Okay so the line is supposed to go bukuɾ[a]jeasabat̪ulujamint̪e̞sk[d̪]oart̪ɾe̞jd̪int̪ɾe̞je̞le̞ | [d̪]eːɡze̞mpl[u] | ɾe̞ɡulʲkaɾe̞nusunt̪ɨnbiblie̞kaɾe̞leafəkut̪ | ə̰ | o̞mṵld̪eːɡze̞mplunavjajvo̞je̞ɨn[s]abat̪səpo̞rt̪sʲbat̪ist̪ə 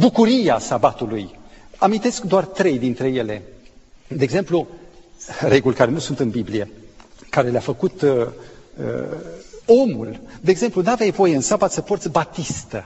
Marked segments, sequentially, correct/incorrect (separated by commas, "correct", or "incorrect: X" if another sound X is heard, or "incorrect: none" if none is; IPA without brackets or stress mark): incorrect: i, correct, correct, correct, correct